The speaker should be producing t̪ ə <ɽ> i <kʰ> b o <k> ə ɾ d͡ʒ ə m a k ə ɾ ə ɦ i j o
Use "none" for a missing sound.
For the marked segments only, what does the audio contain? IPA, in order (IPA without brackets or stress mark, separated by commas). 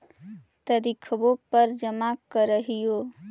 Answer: ɾ, kʰ, p